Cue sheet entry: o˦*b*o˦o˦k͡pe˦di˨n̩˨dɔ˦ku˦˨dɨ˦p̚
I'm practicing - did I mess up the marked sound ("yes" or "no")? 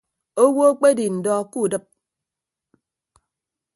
yes